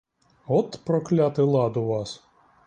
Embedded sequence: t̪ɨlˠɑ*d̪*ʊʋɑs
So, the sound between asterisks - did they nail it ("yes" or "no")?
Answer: yes